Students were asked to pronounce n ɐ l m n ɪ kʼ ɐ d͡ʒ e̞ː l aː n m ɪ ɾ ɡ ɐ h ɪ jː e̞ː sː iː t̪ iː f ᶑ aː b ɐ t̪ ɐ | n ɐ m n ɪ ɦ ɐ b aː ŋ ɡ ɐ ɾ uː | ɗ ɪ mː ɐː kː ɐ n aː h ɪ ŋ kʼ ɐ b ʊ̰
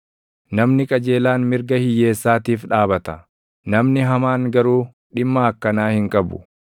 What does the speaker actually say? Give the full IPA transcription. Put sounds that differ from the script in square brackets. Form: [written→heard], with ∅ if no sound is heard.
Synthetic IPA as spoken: n ɐ [l→∅] m n ɪ kʼ ɐ d͡ʒ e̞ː l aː n m ɪ ɾ ɡ ɐ h ɪ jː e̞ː sː [iː→aː] t̪ iː f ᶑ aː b ɐ t̪ ɐ | n ɐ m n ɪ ɦ ɐ [b→m] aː ŋ ɡ ɐ ɾ uː | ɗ ɪ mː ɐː kː ɐ n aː h ɪ ŋ kʼ ɐ b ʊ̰